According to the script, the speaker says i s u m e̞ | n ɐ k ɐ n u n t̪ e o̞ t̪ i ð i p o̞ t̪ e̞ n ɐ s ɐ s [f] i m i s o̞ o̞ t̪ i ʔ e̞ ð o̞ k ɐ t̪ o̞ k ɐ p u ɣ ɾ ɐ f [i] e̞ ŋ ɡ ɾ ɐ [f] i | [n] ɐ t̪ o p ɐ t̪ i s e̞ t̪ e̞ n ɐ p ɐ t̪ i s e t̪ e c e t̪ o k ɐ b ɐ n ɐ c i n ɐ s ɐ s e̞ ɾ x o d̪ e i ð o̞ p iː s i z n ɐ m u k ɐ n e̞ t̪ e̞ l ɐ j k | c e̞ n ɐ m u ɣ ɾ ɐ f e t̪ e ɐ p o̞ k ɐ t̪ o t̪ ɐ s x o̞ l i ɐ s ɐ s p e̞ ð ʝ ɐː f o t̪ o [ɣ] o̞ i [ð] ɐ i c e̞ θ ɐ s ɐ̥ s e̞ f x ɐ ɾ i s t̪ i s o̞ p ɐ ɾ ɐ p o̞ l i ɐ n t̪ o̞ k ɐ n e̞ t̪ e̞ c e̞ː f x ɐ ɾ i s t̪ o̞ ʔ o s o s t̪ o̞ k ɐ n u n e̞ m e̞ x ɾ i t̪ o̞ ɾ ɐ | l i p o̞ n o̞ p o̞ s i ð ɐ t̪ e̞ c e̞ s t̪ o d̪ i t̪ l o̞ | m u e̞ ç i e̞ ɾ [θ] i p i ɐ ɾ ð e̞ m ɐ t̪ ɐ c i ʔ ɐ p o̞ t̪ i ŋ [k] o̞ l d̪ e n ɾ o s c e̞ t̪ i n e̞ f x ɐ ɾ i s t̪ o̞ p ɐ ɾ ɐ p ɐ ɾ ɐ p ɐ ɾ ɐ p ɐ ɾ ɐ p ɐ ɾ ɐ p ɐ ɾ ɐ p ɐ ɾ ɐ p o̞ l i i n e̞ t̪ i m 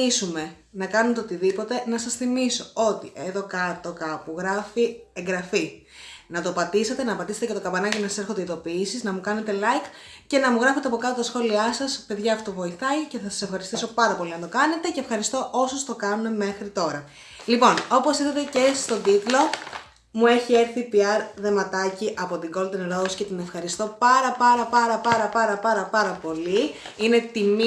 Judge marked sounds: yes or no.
no, yes, yes, yes, no, no, yes, no

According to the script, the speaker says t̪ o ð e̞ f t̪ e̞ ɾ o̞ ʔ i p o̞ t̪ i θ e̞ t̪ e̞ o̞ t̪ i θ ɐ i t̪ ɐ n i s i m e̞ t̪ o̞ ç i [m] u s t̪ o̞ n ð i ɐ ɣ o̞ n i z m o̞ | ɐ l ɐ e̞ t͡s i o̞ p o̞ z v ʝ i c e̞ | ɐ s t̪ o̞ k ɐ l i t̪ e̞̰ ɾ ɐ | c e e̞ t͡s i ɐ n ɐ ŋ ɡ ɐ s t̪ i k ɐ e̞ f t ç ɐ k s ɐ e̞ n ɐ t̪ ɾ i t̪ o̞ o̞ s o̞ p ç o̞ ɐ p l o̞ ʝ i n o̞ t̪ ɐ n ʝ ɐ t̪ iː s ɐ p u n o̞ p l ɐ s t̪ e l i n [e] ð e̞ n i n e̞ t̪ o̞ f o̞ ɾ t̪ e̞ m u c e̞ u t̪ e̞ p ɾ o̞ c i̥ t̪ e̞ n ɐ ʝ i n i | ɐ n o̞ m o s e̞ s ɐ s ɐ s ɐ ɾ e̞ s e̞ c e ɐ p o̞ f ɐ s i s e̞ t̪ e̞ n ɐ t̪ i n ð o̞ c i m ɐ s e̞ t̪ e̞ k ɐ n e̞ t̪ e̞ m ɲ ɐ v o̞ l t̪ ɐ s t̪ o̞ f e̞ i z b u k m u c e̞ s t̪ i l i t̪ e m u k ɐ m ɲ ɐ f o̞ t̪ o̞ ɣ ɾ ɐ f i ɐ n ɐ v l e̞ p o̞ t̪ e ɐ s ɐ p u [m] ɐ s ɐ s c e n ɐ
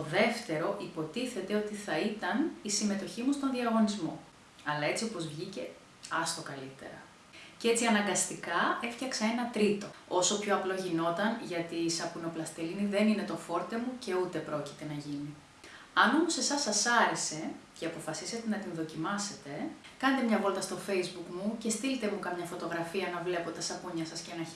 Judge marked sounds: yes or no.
yes, no, no

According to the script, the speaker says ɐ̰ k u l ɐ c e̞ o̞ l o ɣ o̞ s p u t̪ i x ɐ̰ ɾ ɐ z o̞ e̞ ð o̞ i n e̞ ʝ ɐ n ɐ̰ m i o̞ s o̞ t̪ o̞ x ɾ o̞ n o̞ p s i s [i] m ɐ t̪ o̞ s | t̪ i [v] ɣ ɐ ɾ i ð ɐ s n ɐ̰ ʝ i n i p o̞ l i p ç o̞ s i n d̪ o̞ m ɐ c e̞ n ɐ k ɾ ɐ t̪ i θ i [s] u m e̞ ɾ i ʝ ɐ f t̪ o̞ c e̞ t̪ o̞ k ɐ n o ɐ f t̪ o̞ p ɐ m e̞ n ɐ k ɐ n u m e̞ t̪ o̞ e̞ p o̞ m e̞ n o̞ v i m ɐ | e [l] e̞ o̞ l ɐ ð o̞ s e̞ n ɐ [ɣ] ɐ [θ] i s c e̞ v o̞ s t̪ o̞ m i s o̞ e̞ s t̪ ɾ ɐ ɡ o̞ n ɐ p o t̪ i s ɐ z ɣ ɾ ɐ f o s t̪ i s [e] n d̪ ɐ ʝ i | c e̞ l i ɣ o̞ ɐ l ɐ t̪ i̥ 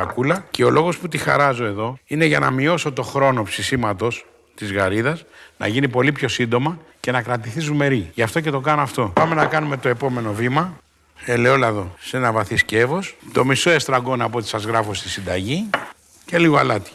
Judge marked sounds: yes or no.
yes, no, no, yes, no, yes, no

